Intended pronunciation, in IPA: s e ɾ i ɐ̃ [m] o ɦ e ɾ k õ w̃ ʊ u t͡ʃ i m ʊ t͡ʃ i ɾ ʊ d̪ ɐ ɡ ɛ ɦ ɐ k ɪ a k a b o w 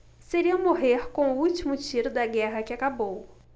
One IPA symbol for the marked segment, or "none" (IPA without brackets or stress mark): m